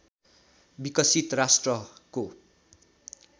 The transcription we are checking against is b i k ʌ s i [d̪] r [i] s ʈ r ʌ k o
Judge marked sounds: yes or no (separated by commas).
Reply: no, no